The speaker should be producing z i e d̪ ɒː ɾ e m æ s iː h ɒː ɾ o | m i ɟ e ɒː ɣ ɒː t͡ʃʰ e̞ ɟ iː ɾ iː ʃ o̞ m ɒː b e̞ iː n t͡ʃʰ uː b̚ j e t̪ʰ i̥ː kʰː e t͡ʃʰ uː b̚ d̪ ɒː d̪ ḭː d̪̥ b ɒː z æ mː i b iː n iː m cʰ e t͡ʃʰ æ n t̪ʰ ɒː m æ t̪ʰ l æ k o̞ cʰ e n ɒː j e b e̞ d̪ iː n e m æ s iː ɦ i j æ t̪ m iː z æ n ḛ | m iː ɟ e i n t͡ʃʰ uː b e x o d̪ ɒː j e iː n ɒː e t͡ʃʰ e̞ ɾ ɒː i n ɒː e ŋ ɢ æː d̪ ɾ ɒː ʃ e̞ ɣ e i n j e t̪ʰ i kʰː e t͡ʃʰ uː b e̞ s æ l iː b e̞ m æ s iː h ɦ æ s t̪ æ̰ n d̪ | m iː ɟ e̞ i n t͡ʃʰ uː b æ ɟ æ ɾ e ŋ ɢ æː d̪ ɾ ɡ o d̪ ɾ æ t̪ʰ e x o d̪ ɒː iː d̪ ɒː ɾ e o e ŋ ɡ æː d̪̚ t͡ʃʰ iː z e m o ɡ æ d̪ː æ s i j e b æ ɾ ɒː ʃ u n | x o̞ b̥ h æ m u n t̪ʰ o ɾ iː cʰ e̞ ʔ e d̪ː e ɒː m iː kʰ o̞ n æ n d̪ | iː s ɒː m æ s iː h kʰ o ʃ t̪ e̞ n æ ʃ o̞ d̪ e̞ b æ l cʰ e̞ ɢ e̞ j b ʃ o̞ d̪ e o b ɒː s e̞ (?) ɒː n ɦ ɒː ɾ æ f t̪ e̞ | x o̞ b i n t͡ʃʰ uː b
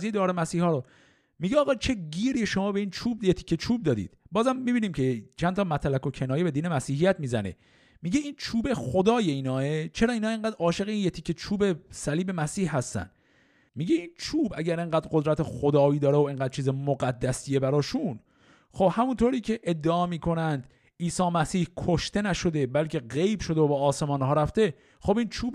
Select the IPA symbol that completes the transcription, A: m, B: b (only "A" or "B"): A